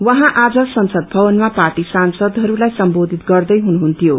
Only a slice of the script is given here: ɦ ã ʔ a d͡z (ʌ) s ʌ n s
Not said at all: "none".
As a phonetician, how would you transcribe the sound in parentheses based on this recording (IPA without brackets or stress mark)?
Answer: ʌ